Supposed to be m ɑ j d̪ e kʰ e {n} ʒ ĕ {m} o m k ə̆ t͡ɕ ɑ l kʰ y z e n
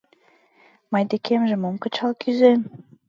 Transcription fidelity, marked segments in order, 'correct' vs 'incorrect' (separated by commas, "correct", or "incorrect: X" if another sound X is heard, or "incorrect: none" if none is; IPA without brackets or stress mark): incorrect: m, correct